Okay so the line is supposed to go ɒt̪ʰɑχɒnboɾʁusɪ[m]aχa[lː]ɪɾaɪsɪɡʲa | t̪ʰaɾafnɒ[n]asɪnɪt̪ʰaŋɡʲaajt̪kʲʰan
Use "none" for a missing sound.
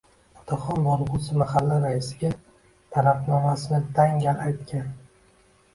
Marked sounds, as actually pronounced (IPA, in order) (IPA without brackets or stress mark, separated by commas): m, lː, m